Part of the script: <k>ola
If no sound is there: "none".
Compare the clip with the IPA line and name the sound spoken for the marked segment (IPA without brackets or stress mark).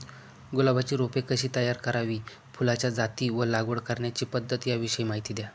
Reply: ɡ